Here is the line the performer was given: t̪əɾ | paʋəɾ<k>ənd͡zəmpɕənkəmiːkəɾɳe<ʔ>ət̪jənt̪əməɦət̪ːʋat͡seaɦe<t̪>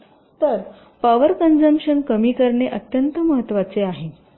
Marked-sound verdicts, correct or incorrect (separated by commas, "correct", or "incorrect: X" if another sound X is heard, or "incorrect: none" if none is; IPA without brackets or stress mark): correct, correct, incorrect: none